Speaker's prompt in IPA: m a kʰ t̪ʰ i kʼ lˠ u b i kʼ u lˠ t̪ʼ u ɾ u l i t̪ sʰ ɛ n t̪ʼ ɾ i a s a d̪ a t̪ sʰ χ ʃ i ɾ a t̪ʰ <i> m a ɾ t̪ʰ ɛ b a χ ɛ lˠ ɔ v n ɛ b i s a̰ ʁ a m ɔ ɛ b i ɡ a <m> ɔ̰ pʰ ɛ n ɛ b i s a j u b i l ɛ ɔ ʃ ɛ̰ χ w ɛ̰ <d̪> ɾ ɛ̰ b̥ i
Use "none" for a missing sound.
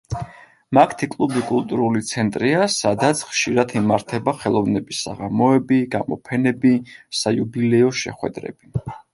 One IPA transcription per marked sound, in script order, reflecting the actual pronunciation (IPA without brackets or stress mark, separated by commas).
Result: i, m, d̪